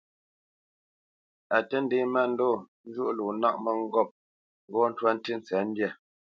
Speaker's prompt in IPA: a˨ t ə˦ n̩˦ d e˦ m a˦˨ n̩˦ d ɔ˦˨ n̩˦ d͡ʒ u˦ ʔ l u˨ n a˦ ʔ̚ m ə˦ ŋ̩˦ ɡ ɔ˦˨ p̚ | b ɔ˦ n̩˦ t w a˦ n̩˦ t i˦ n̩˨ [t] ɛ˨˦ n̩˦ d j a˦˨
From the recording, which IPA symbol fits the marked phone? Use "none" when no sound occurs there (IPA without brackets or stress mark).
t͡s